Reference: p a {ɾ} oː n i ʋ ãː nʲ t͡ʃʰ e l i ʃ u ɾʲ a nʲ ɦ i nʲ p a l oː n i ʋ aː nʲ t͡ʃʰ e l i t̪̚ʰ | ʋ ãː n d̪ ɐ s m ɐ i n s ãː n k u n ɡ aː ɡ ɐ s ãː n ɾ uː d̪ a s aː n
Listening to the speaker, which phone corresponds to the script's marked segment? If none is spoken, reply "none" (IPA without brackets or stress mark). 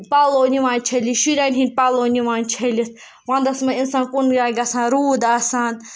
l